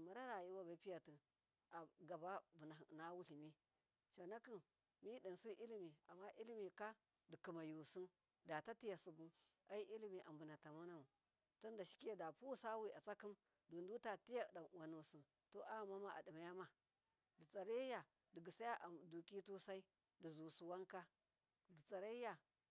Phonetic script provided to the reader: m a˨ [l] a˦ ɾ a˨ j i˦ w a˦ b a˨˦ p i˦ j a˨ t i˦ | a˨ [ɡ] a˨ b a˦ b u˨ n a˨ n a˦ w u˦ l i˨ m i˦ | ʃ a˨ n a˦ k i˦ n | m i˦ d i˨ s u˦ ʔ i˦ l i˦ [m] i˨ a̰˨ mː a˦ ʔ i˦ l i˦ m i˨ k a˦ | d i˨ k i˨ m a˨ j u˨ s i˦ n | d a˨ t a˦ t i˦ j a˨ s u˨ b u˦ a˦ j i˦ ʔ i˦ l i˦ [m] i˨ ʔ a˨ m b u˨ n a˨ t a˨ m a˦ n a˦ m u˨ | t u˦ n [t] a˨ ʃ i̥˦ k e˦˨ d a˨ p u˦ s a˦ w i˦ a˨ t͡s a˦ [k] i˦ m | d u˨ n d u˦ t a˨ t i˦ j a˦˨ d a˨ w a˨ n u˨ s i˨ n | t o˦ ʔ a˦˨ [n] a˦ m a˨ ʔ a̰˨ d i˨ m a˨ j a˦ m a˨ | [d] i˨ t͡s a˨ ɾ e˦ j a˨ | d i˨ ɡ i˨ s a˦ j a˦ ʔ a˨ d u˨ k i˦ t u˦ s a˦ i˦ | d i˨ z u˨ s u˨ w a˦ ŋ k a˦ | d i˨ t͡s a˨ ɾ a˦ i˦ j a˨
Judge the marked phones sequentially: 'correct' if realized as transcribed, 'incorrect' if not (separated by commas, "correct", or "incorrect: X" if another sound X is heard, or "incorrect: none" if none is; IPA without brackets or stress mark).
incorrect: ɾ, correct, correct, correct, incorrect: d, correct, incorrect: m, correct